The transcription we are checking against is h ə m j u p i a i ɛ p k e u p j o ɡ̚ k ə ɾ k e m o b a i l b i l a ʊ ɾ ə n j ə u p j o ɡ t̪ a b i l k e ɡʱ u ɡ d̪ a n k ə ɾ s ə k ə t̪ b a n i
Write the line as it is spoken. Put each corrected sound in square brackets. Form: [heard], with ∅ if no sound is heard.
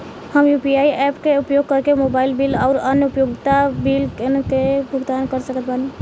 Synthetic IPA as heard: h ə m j u p i a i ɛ p k e u p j o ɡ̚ k ə ɾ k e m o b a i l b i l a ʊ ɾ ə n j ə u p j o ɡ t̪ a b i l k e [bʱ] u ɡ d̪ a n k ə ɾ s ə k ə t̪ b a n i